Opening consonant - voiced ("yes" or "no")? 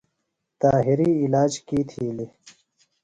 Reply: no